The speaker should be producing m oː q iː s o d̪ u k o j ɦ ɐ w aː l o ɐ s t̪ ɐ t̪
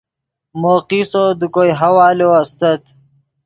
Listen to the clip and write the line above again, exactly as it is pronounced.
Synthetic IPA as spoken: m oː q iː s o d̪ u k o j ɦ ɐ w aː l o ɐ s t̪ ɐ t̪